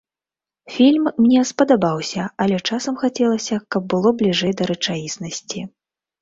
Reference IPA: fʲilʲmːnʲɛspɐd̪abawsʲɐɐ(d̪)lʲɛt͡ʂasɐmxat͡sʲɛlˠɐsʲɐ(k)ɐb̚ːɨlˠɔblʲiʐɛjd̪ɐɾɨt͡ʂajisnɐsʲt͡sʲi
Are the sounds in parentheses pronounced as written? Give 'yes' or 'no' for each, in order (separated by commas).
no, yes